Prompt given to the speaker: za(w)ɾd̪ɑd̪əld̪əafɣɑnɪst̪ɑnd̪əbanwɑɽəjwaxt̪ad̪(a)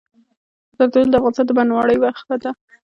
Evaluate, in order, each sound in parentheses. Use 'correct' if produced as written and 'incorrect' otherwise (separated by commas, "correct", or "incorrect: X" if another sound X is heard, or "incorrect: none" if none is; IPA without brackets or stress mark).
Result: incorrect: none, correct